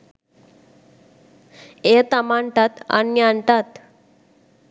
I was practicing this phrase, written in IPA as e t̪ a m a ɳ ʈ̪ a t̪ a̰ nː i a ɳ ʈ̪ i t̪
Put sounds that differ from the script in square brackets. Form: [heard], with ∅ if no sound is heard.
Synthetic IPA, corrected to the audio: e t̪ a m a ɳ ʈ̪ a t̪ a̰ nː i a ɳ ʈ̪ [a] t̪